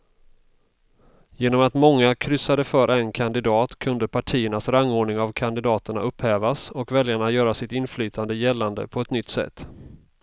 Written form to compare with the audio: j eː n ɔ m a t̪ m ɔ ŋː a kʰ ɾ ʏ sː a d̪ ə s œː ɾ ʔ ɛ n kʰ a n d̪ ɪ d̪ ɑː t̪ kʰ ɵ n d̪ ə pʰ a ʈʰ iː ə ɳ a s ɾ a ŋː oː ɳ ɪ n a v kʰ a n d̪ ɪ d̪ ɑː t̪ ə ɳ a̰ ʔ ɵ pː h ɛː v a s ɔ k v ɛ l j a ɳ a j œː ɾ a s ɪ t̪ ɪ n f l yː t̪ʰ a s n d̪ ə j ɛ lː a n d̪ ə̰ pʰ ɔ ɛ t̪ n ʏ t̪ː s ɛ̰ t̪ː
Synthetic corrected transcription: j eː n ɔ m a t̪ m ɔ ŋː a kʰ ɾ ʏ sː a d̪ ə f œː ɾ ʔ ɛ n kʰ a n d̪ ɪ d̪ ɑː t̪ kʰ ɵ n d̪ ə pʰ a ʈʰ iː ə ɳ a s ɾ a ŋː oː ɳ ɪ ŋ a v kʰ a n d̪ ɪ d̪ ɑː t̪ ə ɳ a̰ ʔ ɵ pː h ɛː v a s ɔ k v ɛ l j a ɳ a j œː ɾ a s ɪ t̪ ɪ n f l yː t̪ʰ a n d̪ ə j ɛ lː a n d̪ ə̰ pʰ ɔ ɛ t̪ n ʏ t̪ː s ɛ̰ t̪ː